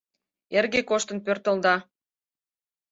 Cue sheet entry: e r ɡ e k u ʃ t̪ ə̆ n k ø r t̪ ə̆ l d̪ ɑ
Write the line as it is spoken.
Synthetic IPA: e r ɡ e k o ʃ t̪ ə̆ n p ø r t̪ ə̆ l d̪ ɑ